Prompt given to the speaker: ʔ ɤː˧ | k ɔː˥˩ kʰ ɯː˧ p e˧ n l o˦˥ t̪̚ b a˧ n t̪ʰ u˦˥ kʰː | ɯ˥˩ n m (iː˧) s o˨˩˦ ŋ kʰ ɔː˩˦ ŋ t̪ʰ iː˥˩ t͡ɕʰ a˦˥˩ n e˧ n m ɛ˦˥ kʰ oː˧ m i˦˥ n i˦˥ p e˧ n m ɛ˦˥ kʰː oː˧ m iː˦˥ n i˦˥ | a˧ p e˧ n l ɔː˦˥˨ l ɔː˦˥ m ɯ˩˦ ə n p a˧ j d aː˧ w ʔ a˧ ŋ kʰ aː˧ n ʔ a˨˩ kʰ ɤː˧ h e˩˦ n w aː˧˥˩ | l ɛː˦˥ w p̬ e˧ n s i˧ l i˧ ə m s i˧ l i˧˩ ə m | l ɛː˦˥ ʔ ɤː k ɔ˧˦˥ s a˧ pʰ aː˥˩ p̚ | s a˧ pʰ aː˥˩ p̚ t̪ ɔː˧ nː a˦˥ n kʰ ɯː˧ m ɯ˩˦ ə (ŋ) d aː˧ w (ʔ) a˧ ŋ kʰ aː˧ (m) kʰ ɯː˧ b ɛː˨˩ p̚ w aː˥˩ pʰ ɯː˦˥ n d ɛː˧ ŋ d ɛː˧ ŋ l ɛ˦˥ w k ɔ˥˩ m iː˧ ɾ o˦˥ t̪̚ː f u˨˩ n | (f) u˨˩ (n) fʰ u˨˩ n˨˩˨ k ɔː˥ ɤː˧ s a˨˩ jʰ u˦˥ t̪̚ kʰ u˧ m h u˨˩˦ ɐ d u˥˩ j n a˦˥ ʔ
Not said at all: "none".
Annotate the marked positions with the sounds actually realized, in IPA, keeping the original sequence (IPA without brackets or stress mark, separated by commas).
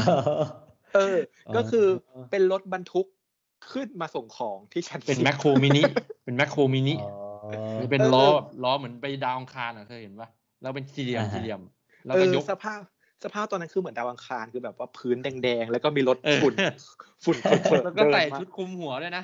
aː˧, n, ʔ, n, f, n